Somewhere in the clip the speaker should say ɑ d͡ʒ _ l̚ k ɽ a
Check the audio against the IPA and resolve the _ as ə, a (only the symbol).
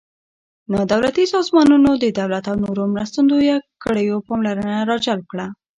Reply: a